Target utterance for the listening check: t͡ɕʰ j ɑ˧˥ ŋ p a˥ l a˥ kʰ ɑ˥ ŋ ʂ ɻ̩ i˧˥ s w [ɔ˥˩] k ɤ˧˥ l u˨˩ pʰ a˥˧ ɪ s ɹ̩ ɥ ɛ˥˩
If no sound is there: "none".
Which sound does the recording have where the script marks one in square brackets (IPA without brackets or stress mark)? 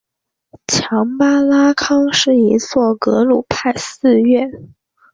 ɔ˥˩